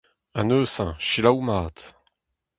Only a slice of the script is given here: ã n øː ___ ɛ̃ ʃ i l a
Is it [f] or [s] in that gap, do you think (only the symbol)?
s